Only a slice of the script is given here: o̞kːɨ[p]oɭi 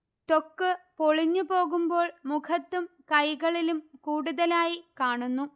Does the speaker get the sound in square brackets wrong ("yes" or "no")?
no